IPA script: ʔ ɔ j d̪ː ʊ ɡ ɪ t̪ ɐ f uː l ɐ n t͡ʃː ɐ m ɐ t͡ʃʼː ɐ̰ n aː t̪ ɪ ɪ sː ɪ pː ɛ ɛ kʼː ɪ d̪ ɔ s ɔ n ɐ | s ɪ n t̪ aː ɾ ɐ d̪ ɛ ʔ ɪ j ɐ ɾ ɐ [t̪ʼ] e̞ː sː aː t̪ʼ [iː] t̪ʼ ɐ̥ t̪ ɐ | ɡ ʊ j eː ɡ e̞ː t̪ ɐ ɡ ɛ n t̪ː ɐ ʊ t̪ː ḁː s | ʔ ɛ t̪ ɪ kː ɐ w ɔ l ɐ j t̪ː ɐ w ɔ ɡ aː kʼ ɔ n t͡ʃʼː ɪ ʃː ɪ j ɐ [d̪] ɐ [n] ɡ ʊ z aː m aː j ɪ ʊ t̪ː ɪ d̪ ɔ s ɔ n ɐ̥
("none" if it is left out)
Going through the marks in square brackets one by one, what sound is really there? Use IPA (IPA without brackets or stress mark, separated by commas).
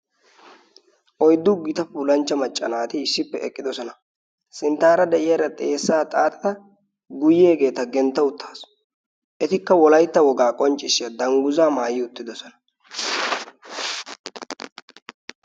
t̪ʼ, aː, d̪, ŋ